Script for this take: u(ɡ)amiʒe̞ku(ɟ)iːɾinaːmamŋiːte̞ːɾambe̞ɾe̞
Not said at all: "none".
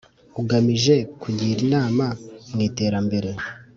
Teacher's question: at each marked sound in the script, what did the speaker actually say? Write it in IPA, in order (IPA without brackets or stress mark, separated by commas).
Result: ɡ, ɟ